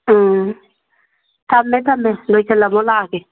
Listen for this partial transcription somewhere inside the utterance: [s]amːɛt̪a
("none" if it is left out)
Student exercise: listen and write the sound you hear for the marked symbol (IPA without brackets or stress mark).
t